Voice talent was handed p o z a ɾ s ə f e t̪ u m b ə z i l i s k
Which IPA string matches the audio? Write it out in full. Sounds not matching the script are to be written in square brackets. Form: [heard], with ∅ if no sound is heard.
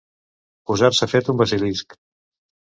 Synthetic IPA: p [u] z a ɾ s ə f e t̪ u m b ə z i l i s k